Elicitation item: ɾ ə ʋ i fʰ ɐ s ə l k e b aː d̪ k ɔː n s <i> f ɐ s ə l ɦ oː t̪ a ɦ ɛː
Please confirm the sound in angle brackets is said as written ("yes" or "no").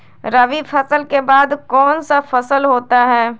no